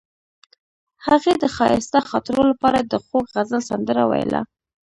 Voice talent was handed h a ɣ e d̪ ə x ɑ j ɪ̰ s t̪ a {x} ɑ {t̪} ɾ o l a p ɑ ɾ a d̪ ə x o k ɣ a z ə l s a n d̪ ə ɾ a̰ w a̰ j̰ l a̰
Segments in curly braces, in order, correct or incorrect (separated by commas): correct, correct